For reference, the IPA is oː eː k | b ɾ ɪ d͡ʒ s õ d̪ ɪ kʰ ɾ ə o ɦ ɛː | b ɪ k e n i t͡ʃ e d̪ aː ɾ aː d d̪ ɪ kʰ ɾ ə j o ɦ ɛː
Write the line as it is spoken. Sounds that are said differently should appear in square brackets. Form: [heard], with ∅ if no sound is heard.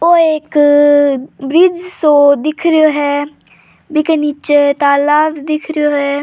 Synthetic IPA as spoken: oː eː k | b ɾ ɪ d͡ʒ s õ d̪ ɪ kʰ ɾ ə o ɦ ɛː | b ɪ k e n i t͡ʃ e [t̪] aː [l] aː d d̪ ɪ kʰ ɾ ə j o ɦ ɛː